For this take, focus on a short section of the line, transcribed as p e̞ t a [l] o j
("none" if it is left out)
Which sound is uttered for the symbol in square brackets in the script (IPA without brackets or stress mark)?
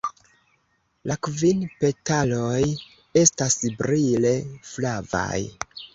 l